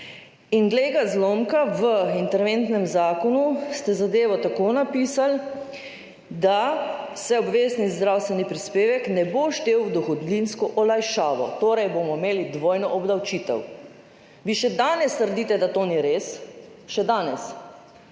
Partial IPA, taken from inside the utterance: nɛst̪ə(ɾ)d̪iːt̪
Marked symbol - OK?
yes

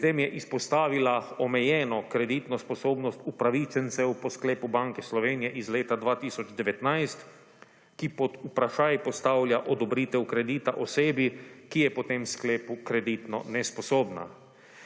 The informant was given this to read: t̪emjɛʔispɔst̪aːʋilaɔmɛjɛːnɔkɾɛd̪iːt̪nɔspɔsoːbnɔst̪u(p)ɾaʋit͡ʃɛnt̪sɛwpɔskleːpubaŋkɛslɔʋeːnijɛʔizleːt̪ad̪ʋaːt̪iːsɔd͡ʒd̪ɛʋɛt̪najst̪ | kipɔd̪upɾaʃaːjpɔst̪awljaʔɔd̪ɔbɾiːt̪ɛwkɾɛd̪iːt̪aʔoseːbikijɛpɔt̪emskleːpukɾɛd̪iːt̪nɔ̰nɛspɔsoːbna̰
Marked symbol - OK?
yes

